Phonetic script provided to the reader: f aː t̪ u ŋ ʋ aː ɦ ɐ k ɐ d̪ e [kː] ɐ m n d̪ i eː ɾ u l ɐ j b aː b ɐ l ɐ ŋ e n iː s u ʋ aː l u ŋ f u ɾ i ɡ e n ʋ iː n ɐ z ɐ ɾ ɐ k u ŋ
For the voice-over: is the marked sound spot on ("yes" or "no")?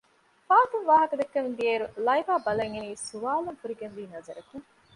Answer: yes